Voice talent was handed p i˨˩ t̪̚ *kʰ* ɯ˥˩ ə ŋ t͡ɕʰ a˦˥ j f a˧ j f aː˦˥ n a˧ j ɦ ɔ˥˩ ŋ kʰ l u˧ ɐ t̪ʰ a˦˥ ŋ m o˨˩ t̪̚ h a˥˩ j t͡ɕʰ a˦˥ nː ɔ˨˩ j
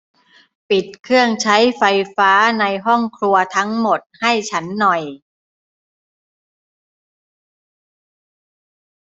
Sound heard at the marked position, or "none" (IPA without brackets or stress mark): kʰ